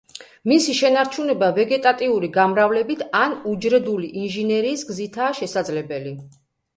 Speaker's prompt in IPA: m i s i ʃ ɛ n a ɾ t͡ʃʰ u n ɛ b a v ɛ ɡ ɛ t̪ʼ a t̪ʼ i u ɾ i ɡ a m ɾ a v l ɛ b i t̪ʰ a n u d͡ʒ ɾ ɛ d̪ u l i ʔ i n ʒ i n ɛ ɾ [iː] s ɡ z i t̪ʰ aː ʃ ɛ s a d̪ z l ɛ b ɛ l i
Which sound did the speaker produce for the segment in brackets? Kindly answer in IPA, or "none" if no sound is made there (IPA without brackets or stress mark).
iː